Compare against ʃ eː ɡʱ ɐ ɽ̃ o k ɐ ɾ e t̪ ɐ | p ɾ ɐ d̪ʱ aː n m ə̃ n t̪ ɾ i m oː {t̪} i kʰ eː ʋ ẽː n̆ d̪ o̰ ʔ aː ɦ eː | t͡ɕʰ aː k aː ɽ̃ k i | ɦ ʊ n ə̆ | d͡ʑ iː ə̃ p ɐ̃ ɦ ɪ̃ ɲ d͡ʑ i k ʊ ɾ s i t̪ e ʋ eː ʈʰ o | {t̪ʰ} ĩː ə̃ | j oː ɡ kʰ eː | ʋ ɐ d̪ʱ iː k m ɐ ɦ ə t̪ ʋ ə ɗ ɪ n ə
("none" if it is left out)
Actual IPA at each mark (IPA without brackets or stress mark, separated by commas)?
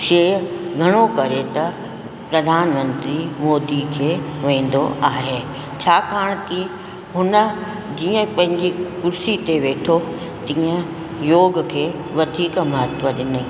d̪, t̪